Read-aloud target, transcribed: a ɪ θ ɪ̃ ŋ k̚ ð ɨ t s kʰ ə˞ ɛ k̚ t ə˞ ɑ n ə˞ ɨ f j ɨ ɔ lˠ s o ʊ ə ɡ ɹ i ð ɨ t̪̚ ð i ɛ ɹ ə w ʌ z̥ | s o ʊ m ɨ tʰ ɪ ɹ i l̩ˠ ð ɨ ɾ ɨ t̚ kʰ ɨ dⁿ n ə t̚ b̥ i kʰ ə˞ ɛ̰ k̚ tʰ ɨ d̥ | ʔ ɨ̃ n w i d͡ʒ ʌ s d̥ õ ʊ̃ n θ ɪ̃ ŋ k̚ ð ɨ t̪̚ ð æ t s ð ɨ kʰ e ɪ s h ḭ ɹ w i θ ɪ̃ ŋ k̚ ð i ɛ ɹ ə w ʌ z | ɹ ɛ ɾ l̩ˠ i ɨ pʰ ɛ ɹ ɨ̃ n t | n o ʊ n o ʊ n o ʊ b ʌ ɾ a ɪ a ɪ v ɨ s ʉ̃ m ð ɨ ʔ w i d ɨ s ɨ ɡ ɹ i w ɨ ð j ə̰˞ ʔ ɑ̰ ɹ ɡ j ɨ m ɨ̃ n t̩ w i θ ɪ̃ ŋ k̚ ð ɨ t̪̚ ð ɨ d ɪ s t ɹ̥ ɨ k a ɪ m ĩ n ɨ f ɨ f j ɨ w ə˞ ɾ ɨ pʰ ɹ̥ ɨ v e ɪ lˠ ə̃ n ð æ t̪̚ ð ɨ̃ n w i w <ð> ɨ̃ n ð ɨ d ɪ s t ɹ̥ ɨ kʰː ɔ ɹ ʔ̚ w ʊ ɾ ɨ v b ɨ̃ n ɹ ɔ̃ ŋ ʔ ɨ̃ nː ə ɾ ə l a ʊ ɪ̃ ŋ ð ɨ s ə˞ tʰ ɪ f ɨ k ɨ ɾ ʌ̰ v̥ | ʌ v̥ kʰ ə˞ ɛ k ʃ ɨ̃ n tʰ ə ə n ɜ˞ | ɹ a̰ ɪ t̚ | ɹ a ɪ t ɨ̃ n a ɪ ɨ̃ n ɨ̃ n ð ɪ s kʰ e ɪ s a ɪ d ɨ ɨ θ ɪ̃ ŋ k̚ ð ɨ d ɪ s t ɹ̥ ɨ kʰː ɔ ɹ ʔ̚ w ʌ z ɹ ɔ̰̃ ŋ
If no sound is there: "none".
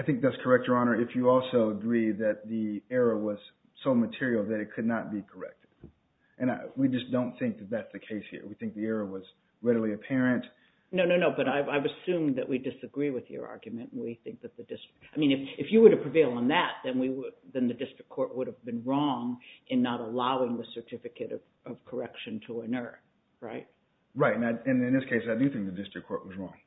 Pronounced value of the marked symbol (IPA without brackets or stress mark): ð